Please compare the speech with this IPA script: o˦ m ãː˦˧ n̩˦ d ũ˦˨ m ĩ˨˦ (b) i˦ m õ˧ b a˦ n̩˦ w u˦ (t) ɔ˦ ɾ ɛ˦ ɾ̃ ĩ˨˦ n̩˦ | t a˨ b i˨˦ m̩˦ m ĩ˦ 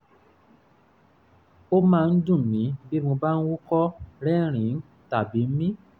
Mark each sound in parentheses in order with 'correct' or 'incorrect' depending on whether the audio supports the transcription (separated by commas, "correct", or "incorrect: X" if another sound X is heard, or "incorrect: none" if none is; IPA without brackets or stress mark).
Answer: correct, incorrect: k